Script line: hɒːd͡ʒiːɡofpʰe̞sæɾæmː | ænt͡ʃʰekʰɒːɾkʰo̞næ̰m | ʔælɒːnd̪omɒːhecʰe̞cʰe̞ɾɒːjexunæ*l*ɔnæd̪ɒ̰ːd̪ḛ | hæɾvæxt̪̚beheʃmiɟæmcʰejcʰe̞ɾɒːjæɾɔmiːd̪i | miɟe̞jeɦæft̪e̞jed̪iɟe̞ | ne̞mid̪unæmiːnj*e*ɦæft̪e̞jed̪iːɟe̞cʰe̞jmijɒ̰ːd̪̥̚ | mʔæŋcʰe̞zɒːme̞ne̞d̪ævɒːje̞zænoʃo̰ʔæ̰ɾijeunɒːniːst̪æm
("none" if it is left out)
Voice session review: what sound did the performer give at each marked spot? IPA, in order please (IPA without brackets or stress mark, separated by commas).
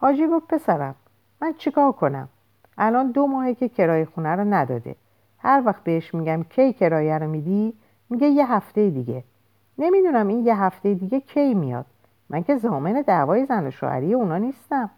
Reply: ɾ, e